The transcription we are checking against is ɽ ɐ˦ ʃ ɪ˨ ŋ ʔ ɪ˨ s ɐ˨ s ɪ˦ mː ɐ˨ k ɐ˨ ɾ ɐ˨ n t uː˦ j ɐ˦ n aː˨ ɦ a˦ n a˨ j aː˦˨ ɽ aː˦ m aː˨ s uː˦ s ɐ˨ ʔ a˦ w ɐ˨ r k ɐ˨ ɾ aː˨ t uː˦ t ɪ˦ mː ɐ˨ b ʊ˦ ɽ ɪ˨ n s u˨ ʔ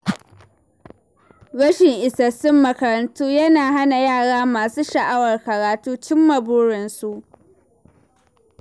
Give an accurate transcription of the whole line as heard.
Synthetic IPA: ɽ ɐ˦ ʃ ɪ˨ ŋ ʔ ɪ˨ s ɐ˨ s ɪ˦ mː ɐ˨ k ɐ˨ ɾ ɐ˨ n t uː˦ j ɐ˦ n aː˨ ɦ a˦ n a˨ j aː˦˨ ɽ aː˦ m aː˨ s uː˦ ʃ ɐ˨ ʔ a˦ w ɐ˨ r k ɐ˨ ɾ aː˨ t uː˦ t͡ʃ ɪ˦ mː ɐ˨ b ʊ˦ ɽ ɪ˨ n s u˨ ʔ